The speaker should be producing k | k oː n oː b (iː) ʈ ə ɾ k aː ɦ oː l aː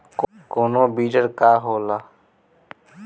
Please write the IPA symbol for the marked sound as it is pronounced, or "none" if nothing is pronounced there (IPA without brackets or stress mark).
iː